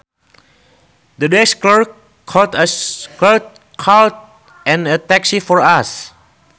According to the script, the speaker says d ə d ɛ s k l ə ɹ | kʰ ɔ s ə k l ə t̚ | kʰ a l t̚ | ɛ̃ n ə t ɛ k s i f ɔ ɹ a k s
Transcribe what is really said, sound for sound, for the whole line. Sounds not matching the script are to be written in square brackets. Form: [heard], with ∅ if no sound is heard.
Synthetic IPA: d ə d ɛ s k l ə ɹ | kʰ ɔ [t] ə k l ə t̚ | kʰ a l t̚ | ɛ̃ n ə t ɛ k s i f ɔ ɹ a [∅] s